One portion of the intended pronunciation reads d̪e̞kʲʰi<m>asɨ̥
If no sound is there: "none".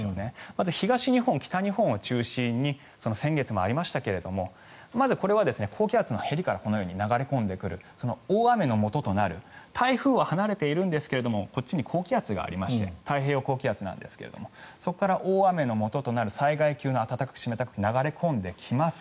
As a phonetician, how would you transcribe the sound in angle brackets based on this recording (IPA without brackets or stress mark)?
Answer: m